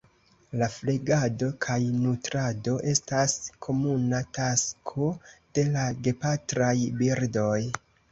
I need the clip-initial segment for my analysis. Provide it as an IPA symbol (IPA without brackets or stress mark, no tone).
l